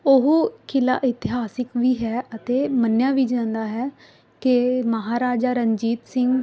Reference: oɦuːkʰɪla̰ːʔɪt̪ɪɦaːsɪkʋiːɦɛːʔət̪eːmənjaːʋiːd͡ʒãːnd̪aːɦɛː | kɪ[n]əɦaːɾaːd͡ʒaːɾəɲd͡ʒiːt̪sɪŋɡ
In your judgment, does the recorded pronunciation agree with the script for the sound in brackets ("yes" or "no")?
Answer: no